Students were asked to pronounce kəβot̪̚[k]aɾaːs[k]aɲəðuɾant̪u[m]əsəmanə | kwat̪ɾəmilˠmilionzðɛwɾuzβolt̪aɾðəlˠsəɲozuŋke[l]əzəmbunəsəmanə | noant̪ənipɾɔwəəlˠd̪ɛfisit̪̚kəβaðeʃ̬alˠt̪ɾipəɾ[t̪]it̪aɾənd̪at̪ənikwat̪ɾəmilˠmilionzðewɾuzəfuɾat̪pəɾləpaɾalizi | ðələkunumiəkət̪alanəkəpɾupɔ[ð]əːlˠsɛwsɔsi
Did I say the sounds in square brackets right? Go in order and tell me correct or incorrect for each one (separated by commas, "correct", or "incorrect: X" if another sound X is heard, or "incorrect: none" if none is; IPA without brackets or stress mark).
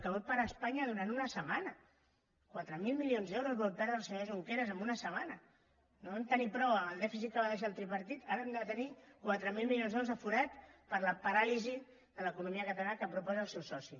incorrect: p, incorrect: p, incorrect: n, incorrect: ɾ, correct, incorrect: z